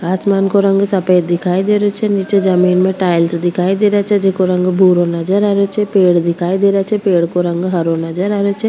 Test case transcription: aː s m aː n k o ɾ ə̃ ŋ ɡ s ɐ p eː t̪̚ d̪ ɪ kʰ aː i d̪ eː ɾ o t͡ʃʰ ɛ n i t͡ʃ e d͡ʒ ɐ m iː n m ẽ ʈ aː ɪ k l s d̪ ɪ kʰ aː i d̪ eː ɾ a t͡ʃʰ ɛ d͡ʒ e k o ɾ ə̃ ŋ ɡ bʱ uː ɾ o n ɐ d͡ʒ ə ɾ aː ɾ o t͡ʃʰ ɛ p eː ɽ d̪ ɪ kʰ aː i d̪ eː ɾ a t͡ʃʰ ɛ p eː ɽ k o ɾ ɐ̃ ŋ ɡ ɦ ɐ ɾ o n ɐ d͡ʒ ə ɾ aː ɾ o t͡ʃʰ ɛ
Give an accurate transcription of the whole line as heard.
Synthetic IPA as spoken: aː s m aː n k o ɾ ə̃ ŋ ɡ s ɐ p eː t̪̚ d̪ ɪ kʰ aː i d̪ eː ɾ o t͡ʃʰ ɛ n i t͡ʃ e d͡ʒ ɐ m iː n m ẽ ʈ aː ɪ l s d̪ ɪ kʰ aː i d̪ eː ɾ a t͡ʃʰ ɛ d͡ʒ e k o ɾ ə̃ ŋ ɡ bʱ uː ɾ o n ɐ d͡ʒ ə ɾ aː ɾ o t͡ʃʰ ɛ p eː ɽ d̪ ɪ kʰ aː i d̪ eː ɾ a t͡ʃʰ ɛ p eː ɽ k o ɾ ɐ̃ ŋ ɡ ɦ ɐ ɾ o n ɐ d͡ʒ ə ɾ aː ɾ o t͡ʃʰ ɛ

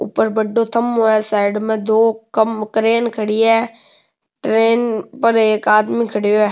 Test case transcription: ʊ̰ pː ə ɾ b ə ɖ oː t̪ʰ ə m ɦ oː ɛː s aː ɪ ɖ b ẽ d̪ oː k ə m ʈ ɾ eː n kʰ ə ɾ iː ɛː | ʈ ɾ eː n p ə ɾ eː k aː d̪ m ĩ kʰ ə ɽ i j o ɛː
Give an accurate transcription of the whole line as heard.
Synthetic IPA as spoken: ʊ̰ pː ə ɾ b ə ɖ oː t̪ʰ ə m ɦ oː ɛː s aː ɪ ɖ m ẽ d̪ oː k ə m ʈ ɾ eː n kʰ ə ɽ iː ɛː | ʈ ɾ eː n p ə ɾ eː k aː d̪ m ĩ kʰ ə ɽ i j o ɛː

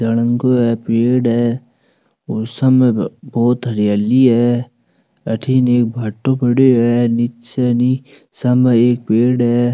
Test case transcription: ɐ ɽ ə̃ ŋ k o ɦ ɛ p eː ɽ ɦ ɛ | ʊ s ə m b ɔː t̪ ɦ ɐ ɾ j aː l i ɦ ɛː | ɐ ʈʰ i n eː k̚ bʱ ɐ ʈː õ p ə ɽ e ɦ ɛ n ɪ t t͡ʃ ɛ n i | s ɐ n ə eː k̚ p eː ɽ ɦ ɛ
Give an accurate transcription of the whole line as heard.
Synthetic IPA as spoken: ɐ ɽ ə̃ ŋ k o ɦ ɛ p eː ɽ ɦ ɛ | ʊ s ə m b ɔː t̪ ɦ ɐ ɾ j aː l i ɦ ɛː | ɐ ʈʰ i n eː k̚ bʱ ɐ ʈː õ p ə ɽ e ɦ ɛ n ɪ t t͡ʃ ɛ n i | s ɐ m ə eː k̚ p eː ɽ ɦ ɛ

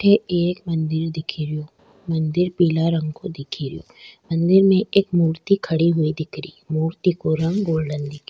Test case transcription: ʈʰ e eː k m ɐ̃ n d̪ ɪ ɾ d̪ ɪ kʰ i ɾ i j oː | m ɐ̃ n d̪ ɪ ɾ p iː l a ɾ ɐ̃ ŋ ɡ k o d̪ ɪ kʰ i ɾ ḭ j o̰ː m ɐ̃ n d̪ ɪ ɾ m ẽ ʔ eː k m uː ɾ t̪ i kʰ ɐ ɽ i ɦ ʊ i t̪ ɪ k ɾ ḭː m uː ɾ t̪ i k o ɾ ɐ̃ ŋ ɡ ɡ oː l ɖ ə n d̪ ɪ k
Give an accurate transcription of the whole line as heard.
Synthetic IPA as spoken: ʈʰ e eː k m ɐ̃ n d̪ ɪ ɾ d̪ ɪ kʰ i ɾ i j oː | m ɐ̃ n d̪ ɪ ɾ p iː l a ɾ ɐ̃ ŋ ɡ k o d̪ ɪ kʰ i ɾ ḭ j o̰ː m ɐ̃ n d̪ ɪ ɾ m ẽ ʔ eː k m uː ɾ t̪ i kʰ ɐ ɽ i ɦ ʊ i d̪ ɪ k ɾ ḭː m uː ɾ t̪ i k o ɾ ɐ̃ ŋ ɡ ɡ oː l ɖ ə n d̪ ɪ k

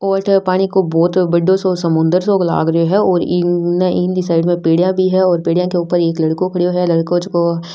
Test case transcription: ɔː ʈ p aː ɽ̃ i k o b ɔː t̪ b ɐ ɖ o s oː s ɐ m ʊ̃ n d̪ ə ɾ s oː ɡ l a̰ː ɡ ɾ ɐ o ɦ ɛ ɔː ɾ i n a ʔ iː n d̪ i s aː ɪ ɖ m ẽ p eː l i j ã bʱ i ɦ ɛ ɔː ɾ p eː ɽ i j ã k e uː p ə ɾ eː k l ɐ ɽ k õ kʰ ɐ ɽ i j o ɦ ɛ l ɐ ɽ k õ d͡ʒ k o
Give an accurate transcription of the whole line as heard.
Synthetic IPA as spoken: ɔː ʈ p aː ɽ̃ i k o b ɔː t̪ b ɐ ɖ o s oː s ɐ m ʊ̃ n d̪ ə ɾ s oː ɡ l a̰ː ɡ ɾ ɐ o ɦ ɛ ɔː ɾ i n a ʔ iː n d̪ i s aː ɪ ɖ m ẽ p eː ɽ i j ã bʱ i ɦ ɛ ɔː ɾ p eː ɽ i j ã k e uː p ə ɾ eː k l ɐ ɽ k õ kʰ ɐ ɽ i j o ɦ ɛ l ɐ ɽ k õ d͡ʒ k o

